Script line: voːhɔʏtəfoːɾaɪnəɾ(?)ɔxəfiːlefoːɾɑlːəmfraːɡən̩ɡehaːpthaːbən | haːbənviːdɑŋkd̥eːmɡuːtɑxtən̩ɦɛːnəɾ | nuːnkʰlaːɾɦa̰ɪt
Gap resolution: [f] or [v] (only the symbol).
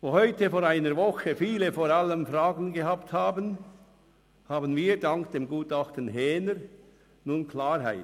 v